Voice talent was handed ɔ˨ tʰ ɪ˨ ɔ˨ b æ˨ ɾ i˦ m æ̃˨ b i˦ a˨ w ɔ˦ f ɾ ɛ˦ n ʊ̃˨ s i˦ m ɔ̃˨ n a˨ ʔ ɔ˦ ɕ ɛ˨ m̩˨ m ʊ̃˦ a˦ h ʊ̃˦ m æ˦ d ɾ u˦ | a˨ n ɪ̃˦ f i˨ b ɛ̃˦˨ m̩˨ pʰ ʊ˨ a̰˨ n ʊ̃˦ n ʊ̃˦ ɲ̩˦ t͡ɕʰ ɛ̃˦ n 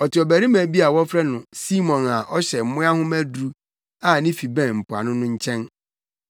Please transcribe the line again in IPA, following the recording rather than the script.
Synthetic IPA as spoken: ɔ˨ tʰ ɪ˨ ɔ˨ b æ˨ ɾ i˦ m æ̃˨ b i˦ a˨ w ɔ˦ f ɾ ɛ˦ n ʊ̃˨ s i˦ m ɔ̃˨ n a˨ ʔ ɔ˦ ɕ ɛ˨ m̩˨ m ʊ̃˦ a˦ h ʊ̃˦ m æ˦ d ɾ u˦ | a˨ n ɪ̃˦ f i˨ b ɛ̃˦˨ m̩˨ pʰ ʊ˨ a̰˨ n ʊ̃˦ n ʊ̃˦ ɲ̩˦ t͡ɕʰ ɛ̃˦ n

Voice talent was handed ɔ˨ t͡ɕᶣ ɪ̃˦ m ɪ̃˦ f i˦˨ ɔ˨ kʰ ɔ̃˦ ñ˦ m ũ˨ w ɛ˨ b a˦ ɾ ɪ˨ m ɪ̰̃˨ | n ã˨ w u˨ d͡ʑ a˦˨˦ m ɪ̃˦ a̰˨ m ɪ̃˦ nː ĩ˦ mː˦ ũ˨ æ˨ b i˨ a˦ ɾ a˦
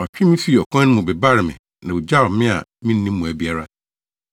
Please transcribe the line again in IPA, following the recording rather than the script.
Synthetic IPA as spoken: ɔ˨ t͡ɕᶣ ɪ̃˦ m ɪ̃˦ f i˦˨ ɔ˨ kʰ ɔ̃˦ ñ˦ m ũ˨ b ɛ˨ b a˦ ɾ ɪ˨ m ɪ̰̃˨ | n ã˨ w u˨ d͡ʑ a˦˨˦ m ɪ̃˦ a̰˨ m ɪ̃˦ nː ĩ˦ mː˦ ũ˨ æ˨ b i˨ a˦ ɾ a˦

